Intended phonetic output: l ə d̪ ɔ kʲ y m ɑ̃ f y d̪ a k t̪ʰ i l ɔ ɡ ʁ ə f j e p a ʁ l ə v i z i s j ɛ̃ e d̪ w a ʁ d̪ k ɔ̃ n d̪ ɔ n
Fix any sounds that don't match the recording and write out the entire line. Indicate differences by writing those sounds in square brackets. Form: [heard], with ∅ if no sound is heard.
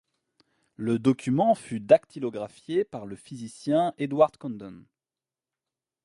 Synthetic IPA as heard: l ə d̪ ɔ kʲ y m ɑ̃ f y d̪ a k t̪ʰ i l ɔ ɡ ʁ [a] f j e p a ʁ l ə [f] i z i s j ɛ̃ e d̪ w a ʁ d̪ k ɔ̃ n d̪ ɔ n